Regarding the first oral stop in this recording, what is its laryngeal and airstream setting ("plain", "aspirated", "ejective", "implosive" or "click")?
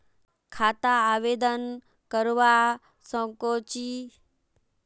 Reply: aspirated